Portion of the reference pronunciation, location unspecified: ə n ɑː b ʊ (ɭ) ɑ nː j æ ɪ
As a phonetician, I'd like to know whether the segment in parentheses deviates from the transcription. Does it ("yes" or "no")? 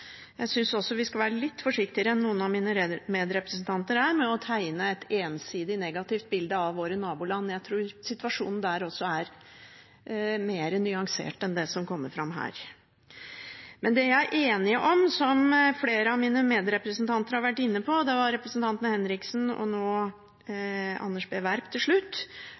yes